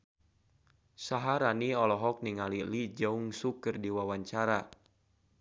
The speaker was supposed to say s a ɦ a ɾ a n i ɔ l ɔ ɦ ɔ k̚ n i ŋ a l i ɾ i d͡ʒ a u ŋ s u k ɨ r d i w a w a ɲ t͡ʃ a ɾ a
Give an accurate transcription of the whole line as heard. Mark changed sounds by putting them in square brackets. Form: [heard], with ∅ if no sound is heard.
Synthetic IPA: s a ɦ a ɾ a n i ɔ l ɔ ɦ ɔ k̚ n i ŋ a l i [l] i d͡ʒ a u ŋ s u k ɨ r d i w a w a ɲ t͡ʃ a ɾ a